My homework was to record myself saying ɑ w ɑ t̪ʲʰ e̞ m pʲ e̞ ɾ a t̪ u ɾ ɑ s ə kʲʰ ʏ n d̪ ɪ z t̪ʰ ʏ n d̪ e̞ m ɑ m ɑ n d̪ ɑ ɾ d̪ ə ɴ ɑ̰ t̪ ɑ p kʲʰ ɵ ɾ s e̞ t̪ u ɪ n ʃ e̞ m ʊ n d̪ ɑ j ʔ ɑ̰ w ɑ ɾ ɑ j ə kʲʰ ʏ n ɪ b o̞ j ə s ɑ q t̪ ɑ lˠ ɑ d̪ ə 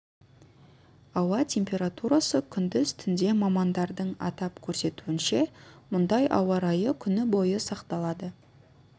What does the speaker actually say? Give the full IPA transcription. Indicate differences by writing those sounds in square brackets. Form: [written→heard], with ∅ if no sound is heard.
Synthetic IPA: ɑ w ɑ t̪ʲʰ e̞ m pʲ e̞ ɾ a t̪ u ɾ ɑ s ə kʲʰ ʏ n d̪ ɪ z t̪ʰ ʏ n d̪ e̞ m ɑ m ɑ n d̪ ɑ ɾ d̪ ə ɴ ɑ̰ t̪ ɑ p kʲʰ ɵ ɾ s e̞ t̪ u ɪ n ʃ e̞ m ʊ n d̪ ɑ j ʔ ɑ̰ w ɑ ɾ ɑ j ə kʲʰ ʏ n ɪ b o̞ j ə s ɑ q t̪ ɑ lˠ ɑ d̪ ə